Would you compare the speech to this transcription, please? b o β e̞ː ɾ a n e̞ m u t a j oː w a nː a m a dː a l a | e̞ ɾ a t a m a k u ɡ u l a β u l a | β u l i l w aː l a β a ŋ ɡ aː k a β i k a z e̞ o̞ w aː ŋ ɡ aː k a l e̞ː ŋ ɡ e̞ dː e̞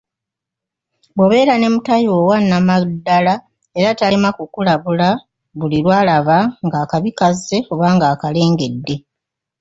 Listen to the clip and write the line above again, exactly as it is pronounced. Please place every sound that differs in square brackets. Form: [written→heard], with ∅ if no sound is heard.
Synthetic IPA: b o β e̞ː ɾ a n e̞ m u t a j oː w a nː a m a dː a l a | e̞ ɾ a t a m a k u [ɡ→k] u l a β u l a | β u l i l w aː l a β a ŋ ɡ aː k a β i k a z e̞ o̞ [w→β] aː ŋ ɡ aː k a l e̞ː ŋ ɡ e̞ dː e̞